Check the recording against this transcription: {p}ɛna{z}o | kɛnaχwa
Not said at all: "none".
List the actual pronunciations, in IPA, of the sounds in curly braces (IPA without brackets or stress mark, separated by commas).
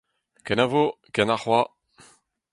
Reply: k, v